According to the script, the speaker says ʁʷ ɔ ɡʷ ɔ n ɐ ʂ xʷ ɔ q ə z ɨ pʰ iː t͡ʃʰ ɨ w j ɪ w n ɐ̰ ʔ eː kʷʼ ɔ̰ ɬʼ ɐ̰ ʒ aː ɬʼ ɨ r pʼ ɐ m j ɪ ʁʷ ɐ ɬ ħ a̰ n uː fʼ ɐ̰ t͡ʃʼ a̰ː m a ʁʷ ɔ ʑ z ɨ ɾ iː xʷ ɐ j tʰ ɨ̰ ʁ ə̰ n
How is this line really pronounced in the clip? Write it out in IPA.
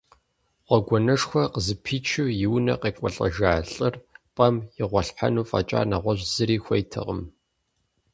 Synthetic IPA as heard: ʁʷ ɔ ɡʷ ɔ n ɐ ʂ xʷ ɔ q ə z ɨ pʰ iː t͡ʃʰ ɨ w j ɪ w n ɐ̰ q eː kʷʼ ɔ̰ ɬʼ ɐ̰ ʒ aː ɬʼ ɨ r pʼ ɐ m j ɪ ʁʷ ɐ ɬ ħ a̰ n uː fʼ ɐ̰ t͡ʃʼ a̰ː n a ʁʷ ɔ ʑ z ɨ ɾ iː xʷ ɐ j tʰ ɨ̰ ʁ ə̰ m